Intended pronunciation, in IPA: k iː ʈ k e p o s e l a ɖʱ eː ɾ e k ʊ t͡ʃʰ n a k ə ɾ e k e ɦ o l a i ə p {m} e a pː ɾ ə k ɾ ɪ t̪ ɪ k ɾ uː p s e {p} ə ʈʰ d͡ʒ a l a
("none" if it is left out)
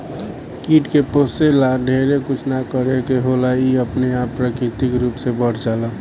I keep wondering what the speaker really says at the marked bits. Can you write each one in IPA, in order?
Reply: n, b

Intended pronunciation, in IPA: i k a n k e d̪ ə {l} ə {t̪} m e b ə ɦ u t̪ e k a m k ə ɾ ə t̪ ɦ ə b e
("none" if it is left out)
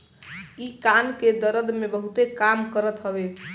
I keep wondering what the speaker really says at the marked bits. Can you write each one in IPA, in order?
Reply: ɾ, d̪

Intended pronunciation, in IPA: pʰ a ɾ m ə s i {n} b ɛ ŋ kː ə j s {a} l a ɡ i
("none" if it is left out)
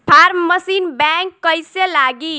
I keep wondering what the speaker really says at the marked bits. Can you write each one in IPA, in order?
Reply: n, e

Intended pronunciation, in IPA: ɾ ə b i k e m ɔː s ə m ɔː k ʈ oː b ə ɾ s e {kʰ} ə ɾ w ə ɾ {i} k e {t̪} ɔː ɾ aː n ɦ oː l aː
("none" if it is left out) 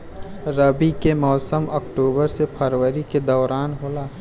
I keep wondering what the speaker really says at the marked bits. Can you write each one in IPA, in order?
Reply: pʰ, i, d̪

